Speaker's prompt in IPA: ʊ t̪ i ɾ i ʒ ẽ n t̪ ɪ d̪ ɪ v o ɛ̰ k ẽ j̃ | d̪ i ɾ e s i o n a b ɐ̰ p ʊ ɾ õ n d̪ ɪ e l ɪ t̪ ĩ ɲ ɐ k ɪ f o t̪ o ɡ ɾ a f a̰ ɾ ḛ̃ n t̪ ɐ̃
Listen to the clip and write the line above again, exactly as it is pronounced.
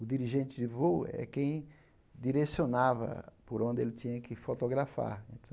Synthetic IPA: ʊ d̪ i ɾ i ʒ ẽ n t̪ ɪ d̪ ɪ v o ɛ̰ k ẽ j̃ | d̪ i ɾ e s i o n a v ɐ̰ p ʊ ɾ õ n d̪ ɪ e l ɪ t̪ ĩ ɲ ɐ k ɪ f o t̪ o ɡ ɾ a f a̰ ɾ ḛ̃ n t̪ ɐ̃